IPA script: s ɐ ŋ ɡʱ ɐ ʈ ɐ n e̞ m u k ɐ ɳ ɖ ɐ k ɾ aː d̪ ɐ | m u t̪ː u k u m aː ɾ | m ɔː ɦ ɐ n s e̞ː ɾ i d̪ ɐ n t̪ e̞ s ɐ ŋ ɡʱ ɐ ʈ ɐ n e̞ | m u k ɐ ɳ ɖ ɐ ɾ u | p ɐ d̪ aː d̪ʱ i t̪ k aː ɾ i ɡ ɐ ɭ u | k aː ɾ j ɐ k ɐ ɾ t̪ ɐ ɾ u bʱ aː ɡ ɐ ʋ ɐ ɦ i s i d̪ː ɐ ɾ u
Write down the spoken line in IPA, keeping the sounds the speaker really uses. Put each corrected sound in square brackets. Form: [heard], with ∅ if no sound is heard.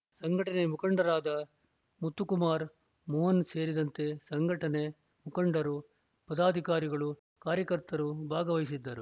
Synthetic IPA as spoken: s ɐ ŋ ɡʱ ɐ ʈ ɐ n e̞ m u k ɐ ɳ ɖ ɐ [∅] ɾ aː d̪ ɐ | m u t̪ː u k u m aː ɾ | m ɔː ɦ ɐ n s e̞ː ɾ i d̪ ɐ n t̪ e̞ s ɐ ŋ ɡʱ ɐ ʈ ɐ n e̞ | m u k ɐ ɳ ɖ ɐ ɾ u | p ɐ d̪ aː d̪ʱ i [∅] k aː ɾ i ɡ ɐ ɭ u | k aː ɾ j ɐ k ɐ ɾ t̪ ɐ ɾ u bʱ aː ɡ ɐ ʋ ɐ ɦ i s i d̪ː ɐ ɾ u